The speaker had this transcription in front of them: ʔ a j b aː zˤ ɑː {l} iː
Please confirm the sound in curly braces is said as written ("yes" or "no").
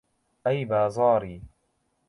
no